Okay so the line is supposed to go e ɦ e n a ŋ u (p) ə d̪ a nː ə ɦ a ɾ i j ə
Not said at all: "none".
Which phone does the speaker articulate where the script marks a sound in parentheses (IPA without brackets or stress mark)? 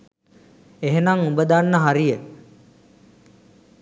b